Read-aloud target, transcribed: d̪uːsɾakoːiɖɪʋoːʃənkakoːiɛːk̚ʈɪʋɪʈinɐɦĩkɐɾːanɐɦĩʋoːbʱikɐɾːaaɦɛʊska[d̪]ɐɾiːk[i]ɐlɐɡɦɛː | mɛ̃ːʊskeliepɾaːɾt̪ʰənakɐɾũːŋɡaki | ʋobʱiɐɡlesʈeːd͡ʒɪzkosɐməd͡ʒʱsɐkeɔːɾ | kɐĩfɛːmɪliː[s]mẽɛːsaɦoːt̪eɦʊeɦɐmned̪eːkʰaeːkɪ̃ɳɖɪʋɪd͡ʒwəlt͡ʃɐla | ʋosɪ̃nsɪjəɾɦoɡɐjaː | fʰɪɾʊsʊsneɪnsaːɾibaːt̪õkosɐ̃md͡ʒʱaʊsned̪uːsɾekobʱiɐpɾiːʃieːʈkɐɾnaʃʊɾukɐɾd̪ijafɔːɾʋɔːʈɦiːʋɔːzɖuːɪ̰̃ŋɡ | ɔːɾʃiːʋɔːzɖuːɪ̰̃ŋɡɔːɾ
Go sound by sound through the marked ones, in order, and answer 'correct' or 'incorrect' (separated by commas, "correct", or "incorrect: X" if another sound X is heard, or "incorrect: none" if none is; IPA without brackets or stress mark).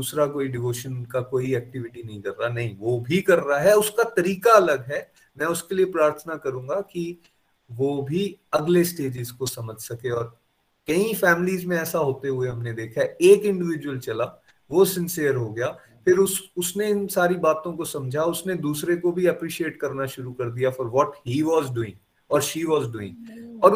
incorrect: t̪, incorrect: a, incorrect: z